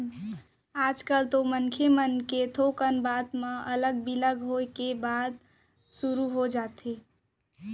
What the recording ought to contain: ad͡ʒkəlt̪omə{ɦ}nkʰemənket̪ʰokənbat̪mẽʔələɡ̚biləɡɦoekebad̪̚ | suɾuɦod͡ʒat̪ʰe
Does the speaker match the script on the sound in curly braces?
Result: no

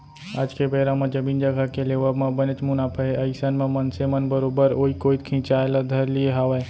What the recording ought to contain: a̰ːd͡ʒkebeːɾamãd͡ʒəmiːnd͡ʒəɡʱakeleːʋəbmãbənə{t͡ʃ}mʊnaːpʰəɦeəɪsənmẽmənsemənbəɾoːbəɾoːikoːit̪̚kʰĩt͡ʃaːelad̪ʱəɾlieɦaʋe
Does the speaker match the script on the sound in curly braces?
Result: yes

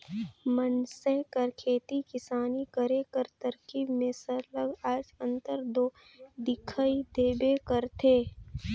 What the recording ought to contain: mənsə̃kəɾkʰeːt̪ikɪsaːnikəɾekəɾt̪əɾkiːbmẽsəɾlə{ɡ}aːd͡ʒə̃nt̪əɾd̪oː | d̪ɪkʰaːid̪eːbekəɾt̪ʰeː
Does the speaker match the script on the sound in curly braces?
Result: yes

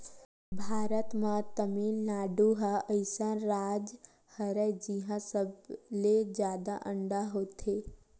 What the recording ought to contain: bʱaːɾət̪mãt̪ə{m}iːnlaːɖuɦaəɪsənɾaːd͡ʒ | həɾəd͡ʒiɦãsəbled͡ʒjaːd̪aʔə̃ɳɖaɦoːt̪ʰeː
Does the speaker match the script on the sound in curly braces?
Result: yes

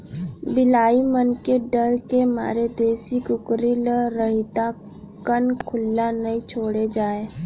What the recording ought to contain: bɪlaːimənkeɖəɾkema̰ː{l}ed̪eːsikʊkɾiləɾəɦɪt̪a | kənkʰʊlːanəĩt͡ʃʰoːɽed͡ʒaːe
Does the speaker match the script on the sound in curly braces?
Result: no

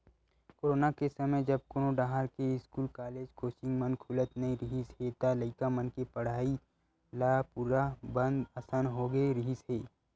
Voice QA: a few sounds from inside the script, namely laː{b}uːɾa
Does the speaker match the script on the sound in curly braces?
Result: no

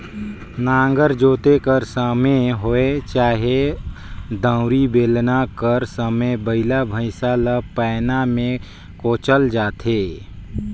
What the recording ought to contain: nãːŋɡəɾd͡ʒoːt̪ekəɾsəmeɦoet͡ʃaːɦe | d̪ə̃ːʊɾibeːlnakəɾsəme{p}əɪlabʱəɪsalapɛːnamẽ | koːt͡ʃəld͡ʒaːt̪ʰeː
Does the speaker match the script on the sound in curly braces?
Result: no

